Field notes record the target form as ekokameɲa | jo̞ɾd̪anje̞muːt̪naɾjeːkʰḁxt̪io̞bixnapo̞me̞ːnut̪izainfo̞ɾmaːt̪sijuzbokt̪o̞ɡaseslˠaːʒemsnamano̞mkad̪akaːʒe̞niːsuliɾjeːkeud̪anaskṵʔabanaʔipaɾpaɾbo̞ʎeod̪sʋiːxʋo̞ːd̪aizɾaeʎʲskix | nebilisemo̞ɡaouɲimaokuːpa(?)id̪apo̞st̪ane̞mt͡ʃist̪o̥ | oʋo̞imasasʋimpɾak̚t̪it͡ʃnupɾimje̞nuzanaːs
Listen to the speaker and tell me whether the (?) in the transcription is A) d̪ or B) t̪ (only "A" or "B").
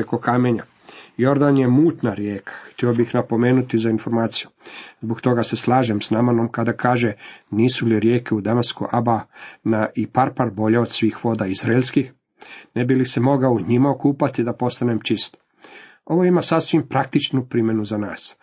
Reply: B